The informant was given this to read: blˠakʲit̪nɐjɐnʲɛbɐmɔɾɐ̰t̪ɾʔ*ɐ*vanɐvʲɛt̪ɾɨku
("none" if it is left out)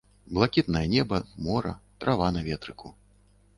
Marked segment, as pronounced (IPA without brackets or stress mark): a